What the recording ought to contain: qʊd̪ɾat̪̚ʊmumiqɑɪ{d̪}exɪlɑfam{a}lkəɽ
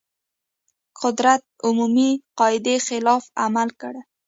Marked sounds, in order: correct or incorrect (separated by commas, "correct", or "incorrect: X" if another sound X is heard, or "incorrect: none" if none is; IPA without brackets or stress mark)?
correct, correct